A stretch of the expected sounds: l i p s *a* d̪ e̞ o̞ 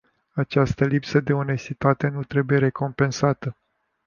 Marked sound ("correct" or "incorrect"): incorrect